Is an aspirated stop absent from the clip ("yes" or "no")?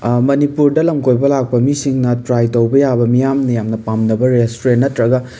yes